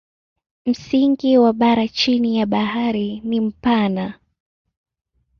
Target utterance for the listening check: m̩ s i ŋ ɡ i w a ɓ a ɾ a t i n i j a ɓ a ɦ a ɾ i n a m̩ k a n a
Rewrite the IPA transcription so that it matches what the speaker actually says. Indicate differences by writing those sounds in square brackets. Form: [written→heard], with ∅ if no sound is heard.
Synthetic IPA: m̩ s i ŋ ɡ i w a ɓ a ɾ a [t→t͡ʃ] i n i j a ɓ a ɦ a ɾ i n [a→i] m̩ [k→p] a n a